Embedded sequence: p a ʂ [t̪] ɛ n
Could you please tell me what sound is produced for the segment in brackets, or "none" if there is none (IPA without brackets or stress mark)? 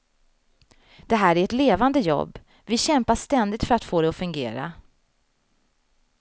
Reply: t̪